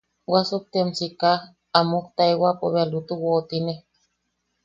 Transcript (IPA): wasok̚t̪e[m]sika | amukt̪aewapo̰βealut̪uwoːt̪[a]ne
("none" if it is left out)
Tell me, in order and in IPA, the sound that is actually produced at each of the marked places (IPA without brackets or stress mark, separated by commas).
m, i